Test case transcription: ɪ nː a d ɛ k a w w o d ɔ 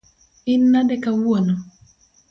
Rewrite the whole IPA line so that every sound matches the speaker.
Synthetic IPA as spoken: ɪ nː a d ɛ k a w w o n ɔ